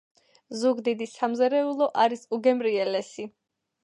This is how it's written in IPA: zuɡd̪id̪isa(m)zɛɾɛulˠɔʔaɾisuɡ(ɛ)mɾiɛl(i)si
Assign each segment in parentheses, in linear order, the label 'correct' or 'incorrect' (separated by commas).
correct, correct, incorrect